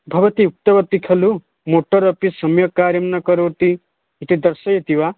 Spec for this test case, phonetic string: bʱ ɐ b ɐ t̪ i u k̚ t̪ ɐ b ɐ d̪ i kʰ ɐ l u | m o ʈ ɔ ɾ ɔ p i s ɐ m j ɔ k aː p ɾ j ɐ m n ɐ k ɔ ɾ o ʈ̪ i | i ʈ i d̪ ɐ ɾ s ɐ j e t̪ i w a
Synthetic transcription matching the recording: bʱ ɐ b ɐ t̪ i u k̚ t̪ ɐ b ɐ t̪ i kʰ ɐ l u | m o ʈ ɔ ɾ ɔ p i s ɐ m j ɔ k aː ɾ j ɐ m n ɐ k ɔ ɾ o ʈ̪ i | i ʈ i d̪ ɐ ɾ s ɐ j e t̪ i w a